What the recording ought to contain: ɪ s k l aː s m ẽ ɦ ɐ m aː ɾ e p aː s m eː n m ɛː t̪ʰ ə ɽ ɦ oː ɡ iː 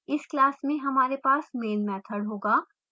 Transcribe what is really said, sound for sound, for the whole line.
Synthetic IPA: ɪ s k l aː s m ẽ ɦ ɐ m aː ɾ e p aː s m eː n m ɛː t̪ʰ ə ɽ ɦ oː ɡ aː